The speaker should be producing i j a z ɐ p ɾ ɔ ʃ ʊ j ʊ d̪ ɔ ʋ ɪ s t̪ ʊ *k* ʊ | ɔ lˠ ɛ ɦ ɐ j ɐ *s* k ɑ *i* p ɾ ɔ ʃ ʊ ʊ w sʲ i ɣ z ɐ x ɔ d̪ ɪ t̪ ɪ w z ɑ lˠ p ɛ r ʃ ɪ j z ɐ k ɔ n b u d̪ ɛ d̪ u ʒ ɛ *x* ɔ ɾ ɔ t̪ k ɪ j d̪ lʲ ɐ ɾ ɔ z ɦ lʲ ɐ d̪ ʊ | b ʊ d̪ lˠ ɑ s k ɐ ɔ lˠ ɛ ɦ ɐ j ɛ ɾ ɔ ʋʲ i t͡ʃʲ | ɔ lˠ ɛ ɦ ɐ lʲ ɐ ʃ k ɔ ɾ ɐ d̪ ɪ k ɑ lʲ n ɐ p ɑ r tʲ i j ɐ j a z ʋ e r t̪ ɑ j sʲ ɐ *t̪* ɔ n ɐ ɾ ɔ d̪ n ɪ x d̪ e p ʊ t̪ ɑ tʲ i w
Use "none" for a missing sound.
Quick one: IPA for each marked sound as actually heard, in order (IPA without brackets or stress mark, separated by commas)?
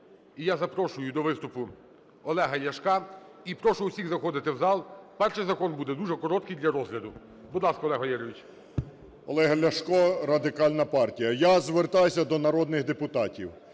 p, ʃ, i, k, d̪